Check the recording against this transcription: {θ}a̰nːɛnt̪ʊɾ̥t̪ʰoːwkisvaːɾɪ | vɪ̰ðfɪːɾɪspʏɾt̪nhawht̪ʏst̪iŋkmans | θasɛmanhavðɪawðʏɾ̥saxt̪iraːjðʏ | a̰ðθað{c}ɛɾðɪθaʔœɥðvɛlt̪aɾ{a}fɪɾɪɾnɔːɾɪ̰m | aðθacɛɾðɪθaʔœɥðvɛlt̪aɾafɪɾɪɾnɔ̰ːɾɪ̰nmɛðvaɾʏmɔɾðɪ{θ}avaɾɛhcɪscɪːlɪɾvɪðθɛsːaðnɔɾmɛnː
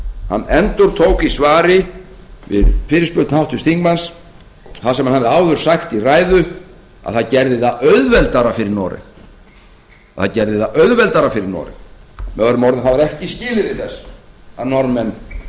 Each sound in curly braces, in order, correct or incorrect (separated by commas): incorrect, correct, correct, correct